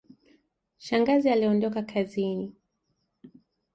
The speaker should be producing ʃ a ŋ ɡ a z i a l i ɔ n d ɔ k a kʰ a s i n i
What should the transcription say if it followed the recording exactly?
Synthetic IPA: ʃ a ŋ ɡ a z i a l i ɔ n d ɔ k a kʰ a z i n i

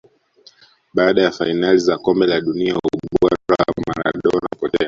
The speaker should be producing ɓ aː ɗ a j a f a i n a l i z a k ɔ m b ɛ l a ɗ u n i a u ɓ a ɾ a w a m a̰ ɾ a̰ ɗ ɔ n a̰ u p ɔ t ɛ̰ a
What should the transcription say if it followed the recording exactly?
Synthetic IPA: ɓ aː ɗ a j a f a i n a l i z a k ɔ m b ɛ l a ɗ u n i a u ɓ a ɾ a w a m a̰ ɾ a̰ ɗ ɔ n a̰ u p ɔ t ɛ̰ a

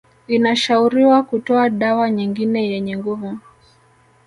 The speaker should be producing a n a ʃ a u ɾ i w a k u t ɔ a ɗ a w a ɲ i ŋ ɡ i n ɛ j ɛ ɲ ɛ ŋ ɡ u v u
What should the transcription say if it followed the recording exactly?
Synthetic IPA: i n a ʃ a u ɾ i w a k u t ɔ a ɗ a w a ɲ i ŋ ɡ i n ɛ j ɛ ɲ ɛ ŋ ɡ u v u

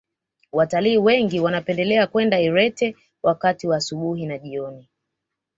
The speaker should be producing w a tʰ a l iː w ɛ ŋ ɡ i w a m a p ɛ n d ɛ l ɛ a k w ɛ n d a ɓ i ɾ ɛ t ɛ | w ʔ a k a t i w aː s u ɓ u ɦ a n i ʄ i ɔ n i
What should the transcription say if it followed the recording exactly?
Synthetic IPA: w a t a l iː w ɛ ŋ ɡ i w a n a p ɛ n d ɛ l ɛ a k w ɛ n d a i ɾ ɛ t ɛ | w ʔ a k a t i w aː s u ɓ u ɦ i n a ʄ i ɔ n i

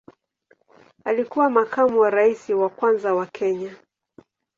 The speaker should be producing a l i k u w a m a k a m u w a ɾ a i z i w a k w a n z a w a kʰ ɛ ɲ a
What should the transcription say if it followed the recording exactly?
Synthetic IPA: a l i k u w a m a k a m u w a ɾ a i s i w a k w a n z a w a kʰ ɛ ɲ a

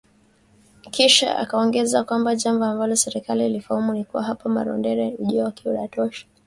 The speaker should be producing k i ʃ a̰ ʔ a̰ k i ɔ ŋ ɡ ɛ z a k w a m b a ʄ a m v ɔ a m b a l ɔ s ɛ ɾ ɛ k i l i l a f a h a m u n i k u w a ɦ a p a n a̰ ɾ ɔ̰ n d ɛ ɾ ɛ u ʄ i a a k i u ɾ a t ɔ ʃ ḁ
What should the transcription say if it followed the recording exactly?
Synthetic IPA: k i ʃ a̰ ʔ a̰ k a ɔ ŋ ɡ ɛ z a k w a m b a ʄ a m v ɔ a m b a l ɔ s ɛ ɾ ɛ k a l i l i f a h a m u n i k u w a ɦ a p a m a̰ ɾ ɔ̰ n d ɛ ɾ ɛ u ʄ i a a k i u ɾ a t ɔ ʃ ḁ

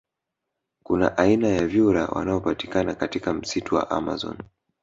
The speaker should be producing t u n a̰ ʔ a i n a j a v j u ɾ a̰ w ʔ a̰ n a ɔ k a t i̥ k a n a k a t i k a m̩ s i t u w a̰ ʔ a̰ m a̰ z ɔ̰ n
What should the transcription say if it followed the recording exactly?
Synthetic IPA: k u n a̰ ʔ a i n a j a v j u ɾ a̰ w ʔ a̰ n a ɔ p a t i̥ k a n a k a t i k a m̩ s i t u w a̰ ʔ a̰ m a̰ z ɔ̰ n

